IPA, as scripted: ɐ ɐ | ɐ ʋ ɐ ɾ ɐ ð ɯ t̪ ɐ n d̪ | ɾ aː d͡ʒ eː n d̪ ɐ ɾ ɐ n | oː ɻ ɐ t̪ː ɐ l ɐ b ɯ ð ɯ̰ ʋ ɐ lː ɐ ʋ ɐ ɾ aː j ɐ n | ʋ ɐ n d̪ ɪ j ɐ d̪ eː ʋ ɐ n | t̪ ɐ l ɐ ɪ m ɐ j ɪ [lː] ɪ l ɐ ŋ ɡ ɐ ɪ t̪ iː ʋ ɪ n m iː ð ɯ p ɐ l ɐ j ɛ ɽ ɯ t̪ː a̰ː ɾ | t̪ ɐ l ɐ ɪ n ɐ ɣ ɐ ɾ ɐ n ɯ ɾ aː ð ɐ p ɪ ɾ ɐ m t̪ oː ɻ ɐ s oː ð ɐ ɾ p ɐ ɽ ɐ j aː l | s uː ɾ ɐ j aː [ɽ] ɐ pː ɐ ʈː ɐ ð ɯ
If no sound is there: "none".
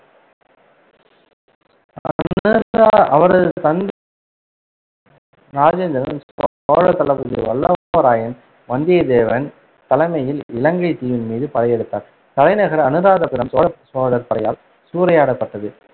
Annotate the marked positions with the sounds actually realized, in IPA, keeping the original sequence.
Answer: l, ɽ

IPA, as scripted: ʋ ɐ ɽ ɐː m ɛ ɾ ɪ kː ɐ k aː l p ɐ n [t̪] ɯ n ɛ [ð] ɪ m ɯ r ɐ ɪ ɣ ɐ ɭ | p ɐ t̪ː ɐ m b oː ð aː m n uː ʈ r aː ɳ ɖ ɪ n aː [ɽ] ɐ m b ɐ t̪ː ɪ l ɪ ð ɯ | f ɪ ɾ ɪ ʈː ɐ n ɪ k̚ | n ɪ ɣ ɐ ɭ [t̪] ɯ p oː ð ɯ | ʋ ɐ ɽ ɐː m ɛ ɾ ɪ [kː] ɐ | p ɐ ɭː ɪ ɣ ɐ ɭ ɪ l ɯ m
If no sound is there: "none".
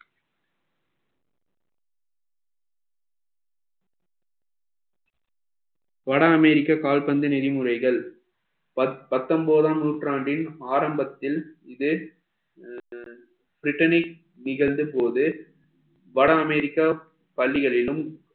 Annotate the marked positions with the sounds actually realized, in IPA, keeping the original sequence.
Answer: d̪, ð, ɾ, d̪, kː

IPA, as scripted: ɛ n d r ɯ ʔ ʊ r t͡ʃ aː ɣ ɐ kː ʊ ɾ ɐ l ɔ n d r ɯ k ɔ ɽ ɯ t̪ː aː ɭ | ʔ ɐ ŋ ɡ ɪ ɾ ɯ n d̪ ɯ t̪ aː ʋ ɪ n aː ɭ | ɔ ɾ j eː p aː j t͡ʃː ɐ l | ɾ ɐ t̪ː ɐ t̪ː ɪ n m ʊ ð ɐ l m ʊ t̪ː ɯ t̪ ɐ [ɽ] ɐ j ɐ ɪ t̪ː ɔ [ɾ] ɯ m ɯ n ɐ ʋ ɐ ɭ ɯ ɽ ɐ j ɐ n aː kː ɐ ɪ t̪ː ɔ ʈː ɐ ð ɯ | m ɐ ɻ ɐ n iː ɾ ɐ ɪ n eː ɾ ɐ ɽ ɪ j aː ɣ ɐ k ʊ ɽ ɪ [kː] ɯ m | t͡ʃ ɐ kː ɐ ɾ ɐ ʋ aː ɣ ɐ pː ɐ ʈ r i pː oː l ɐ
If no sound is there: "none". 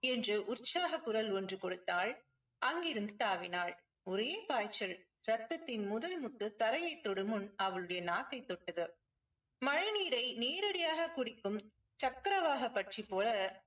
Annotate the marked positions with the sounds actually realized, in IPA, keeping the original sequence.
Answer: ɾ, ɽ, kː

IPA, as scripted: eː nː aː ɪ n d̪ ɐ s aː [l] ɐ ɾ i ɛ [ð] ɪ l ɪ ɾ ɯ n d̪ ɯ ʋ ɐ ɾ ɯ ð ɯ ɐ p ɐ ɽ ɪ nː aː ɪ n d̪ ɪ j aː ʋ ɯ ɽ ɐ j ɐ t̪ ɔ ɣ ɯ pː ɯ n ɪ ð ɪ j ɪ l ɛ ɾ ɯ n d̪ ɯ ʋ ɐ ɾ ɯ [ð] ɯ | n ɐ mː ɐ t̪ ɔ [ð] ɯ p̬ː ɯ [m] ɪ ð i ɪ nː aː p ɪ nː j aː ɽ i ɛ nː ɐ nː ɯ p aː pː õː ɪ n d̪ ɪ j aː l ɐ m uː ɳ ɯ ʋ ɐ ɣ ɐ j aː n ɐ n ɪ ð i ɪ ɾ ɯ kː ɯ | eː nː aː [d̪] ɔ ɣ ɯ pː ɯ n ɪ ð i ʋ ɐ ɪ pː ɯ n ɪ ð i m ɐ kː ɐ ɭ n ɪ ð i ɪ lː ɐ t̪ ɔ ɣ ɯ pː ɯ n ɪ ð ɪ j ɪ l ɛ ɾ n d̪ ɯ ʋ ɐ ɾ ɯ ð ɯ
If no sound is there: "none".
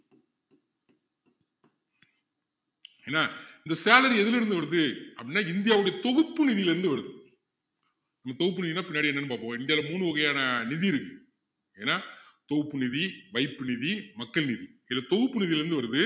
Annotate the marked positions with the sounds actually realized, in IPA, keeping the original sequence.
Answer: l, ð, ð, ɣ, n, t̪

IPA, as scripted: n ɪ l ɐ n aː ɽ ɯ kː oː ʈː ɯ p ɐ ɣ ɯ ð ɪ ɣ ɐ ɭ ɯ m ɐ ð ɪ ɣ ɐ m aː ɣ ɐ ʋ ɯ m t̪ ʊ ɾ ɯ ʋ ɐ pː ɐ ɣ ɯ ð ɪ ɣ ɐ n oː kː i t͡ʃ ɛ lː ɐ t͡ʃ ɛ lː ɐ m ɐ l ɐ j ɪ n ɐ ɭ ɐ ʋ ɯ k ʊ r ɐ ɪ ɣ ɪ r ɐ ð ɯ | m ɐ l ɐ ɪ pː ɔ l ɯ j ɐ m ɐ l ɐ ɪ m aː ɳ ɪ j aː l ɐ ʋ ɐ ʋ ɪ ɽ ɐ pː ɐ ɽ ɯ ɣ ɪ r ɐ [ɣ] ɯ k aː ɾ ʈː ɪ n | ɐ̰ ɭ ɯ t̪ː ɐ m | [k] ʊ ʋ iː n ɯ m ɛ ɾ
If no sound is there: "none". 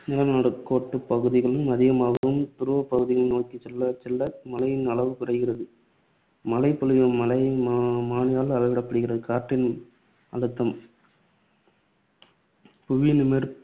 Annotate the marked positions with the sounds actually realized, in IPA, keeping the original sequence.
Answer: ð, p

